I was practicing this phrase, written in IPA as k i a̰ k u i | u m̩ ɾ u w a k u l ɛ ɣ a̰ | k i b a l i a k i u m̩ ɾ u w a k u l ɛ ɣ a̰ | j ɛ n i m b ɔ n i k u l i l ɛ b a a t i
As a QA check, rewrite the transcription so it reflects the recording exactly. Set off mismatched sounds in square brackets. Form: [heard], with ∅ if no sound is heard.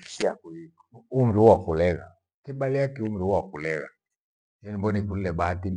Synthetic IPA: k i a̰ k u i | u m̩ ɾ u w a k u l ɛ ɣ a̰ | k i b a l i a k i u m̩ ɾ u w a k u l ɛ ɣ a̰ | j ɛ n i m b ɔ n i k u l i l ɛ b a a t i